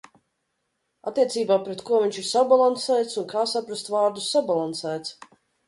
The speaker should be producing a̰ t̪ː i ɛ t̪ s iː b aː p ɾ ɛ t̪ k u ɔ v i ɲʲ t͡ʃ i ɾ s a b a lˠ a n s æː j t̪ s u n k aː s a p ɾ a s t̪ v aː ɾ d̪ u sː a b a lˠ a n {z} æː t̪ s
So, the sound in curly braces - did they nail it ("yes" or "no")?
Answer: no